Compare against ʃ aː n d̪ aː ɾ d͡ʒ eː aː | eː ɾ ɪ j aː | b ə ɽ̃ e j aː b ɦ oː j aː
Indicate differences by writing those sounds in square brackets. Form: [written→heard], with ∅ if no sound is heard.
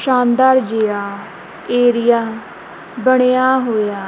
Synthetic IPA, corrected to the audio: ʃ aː n d̪ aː ɾ d͡ʒ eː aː | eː ɾ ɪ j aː | b ə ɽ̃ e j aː [b→∅] ɦ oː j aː